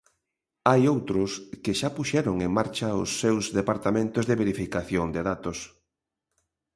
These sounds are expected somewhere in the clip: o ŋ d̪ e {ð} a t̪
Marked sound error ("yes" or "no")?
no